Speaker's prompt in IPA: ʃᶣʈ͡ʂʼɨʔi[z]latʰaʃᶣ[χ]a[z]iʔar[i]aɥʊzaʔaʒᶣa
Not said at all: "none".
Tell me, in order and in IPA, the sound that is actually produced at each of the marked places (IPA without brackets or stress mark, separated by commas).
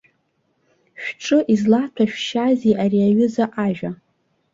z, ʃ, z, i